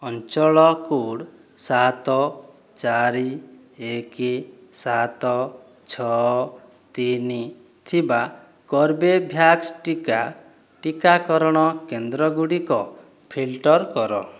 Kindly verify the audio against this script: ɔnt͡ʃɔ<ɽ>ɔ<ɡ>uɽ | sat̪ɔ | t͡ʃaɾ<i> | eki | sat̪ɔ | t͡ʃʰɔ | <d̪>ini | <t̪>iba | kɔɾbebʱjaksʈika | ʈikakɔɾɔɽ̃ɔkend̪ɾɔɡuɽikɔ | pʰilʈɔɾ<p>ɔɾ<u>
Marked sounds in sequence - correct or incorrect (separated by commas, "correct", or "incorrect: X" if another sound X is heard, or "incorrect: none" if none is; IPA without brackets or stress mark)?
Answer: incorrect: ɭ, incorrect: k, correct, incorrect: t̪, incorrect: t̪ʰ, incorrect: k, incorrect: ɔ